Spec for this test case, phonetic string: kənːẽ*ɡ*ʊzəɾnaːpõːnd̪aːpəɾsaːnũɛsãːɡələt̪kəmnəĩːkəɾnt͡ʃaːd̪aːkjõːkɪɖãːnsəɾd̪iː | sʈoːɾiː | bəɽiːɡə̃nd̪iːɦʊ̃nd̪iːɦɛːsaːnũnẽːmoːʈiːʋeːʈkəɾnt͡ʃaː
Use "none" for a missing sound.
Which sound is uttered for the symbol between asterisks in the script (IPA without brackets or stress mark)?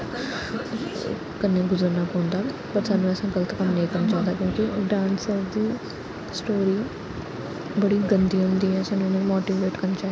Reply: ɡ